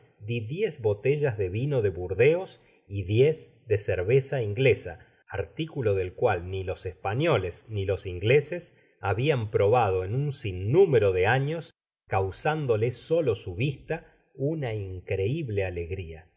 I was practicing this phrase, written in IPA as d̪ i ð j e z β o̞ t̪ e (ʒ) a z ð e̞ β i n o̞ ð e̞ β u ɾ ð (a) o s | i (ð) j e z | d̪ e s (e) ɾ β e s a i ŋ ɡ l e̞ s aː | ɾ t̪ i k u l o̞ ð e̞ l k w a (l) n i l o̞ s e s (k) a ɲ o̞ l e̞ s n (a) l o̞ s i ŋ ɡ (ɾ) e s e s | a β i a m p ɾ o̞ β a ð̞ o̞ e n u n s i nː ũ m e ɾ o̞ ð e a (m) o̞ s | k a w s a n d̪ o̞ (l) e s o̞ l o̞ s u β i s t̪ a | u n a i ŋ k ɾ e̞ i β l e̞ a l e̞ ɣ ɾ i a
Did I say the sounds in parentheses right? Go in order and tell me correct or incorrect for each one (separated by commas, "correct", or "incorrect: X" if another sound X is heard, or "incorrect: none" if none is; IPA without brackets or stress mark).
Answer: correct, incorrect: e, correct, correct, correct, incorrect: p, incorrect: i, incorrect: l, incorrect: ɲ, correct